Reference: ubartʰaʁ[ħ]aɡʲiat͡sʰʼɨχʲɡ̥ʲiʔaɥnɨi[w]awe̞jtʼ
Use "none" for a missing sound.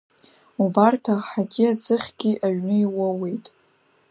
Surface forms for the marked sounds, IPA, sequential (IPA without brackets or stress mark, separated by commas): ħ, w